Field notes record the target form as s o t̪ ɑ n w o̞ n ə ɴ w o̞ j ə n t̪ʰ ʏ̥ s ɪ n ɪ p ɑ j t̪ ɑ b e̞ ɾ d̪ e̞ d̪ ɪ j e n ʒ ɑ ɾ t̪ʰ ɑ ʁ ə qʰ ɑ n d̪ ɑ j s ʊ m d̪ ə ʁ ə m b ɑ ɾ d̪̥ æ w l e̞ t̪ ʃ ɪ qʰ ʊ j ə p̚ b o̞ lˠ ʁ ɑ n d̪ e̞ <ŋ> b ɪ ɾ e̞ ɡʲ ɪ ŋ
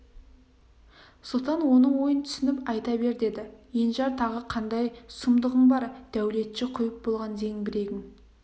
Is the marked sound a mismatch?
no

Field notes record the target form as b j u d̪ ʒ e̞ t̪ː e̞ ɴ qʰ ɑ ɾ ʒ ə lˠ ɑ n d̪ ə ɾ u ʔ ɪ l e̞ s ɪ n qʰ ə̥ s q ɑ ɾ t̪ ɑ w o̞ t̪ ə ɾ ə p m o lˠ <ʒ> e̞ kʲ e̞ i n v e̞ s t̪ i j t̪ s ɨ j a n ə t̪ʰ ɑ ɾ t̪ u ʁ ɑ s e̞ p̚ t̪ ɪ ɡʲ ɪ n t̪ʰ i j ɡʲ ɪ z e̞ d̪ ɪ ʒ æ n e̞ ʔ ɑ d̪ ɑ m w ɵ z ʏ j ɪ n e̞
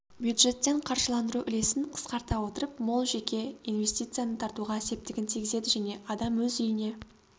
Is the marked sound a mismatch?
no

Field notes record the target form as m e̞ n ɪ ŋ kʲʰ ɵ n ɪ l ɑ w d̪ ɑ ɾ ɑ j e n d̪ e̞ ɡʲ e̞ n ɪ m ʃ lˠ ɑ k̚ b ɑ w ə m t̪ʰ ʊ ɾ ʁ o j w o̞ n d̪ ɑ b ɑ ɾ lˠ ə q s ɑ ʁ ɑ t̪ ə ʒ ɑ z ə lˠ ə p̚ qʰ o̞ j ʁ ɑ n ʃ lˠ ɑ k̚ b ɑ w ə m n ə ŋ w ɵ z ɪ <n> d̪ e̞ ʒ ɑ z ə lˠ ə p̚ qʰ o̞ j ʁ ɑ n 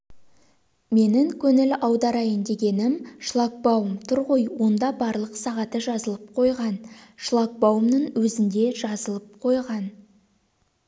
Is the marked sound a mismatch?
no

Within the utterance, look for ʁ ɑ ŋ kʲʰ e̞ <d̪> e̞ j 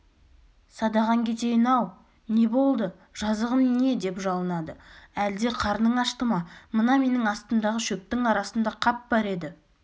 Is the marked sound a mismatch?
yes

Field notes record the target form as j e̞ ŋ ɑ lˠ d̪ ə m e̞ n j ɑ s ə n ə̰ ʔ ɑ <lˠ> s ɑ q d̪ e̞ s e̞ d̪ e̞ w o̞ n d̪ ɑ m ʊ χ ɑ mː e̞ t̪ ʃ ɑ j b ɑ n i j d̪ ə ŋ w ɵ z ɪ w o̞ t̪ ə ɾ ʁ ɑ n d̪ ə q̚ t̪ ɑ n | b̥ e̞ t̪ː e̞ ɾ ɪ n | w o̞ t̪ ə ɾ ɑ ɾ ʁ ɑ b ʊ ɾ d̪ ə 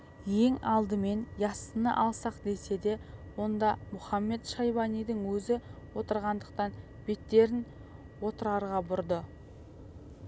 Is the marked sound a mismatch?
no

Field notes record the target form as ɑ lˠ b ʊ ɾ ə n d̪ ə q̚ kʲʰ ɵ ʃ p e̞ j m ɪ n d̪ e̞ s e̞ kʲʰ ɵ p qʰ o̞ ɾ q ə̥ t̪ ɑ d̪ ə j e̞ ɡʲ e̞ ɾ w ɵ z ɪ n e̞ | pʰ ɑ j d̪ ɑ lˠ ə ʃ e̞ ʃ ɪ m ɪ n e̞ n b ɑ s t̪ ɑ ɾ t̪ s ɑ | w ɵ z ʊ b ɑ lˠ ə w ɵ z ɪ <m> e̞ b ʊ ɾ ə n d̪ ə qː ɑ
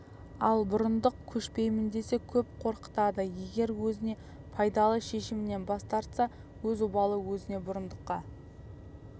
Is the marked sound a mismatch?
yes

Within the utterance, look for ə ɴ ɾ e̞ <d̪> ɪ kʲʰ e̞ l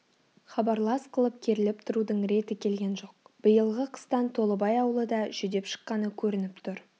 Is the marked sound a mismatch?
yes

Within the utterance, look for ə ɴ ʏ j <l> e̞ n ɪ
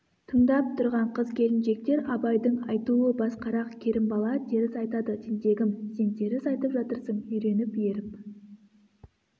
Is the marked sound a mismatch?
yes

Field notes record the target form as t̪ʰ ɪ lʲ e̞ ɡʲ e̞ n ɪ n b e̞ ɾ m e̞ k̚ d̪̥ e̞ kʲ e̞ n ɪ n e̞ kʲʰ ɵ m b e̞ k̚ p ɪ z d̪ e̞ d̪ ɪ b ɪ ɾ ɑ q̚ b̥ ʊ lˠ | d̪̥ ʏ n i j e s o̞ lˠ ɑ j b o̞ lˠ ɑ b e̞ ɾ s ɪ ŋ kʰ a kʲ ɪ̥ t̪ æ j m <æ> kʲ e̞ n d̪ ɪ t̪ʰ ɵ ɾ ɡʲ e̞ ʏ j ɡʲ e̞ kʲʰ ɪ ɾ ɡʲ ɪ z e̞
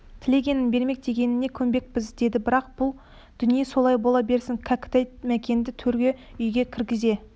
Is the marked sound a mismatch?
no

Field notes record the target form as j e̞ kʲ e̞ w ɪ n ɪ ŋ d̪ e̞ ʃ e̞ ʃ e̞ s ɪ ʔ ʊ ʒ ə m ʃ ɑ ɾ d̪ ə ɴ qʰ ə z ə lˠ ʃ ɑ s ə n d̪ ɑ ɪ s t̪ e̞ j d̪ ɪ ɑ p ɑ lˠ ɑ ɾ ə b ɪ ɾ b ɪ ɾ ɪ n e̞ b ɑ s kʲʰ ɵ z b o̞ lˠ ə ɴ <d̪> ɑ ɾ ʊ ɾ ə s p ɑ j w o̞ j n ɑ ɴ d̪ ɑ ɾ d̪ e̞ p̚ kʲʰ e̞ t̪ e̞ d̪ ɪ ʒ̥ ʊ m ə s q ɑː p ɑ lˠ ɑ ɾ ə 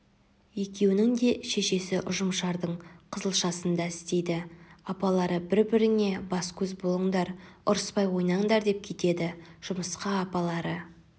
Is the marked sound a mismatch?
no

